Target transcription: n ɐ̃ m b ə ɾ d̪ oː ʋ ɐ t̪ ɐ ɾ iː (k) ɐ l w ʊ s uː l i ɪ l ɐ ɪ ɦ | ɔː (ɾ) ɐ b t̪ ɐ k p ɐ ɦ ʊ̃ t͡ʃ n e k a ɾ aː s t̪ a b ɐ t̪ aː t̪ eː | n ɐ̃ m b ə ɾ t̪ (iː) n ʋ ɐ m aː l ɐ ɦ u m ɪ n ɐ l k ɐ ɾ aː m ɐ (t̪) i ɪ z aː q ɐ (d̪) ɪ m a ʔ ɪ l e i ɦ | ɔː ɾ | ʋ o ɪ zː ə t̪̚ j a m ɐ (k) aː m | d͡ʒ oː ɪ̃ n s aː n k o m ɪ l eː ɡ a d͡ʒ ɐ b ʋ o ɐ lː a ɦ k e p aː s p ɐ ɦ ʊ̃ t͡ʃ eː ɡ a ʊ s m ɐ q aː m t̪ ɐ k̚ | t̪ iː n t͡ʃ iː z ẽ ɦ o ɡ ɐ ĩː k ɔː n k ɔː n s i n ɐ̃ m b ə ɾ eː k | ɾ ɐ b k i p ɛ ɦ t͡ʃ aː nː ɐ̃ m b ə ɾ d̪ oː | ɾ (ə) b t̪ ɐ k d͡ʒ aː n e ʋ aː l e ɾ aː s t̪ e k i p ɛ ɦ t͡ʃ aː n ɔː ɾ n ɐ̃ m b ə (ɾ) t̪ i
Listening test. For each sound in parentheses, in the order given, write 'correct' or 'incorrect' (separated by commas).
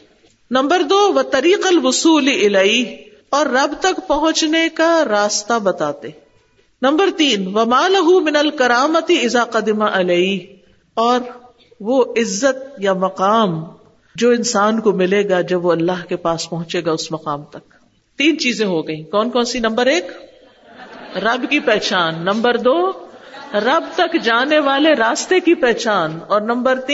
incorrect, incorrect, correct, correct, correct, incorrect, incorrect, correct